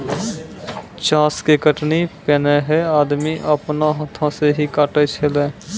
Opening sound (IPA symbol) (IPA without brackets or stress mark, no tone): t͡ʃ